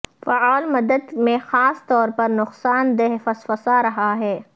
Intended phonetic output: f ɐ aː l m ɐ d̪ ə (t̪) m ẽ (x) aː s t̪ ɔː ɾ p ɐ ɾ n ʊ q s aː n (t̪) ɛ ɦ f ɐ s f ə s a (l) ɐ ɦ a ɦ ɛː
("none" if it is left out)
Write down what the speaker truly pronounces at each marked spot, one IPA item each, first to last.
d̪, x, d̪, ɾ

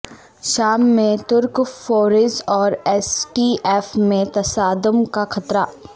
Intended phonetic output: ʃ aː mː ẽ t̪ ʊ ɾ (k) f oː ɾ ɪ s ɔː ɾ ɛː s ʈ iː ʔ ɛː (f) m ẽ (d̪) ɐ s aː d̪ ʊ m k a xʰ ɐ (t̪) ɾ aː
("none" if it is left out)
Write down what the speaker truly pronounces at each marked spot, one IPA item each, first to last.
k, f, t̪, t̪

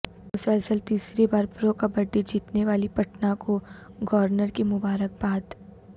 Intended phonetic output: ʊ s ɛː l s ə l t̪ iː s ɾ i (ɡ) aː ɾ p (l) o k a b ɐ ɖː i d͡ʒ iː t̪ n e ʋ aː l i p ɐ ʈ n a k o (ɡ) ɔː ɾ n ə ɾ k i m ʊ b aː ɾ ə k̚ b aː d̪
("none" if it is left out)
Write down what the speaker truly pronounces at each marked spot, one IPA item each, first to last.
b, ɾ, ɡ

